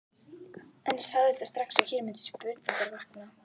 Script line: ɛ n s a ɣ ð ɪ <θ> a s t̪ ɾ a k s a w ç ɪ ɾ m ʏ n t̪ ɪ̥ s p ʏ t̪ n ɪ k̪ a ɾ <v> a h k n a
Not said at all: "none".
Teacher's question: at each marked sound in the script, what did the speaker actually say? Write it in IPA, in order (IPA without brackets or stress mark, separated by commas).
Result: θ, v